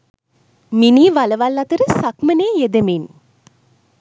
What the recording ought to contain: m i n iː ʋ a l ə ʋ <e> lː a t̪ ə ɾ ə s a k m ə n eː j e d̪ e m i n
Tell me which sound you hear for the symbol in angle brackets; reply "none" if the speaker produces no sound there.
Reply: a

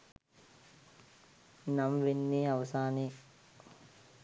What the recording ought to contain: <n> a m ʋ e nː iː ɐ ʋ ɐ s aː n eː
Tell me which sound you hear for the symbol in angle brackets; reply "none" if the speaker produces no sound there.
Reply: n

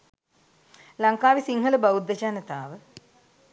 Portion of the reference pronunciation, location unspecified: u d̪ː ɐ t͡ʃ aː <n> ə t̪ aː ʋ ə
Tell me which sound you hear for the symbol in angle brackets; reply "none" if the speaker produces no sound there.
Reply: n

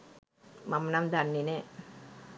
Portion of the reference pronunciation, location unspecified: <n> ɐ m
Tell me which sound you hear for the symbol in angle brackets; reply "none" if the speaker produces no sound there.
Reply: m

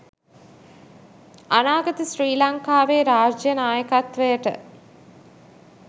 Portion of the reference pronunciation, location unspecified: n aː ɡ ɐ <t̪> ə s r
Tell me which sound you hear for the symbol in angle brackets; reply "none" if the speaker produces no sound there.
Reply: t̪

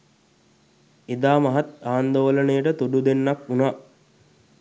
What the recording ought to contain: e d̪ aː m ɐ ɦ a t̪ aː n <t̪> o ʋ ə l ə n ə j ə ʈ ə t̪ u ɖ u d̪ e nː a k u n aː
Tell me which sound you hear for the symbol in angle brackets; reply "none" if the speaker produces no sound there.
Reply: d̪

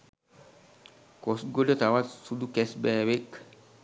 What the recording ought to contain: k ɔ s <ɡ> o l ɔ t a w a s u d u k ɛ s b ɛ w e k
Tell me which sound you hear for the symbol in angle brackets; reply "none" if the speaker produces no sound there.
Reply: ɡ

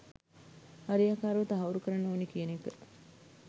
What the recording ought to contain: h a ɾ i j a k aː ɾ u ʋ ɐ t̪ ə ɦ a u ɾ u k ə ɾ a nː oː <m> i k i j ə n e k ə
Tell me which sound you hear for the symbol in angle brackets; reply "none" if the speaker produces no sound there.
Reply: n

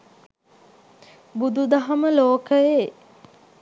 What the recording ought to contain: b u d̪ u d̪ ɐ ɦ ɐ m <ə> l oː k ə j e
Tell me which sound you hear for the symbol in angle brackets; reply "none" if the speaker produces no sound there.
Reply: ə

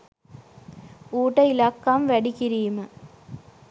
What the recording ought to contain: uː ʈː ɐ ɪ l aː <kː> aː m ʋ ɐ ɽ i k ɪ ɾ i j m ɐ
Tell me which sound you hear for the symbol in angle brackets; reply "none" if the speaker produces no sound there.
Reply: kː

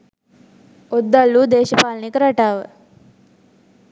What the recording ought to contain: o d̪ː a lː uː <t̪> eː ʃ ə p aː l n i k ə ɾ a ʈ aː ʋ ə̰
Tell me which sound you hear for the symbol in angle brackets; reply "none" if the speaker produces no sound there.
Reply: d̪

